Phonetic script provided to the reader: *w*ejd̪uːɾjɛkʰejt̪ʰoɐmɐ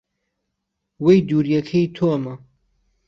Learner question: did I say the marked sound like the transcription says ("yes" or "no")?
yes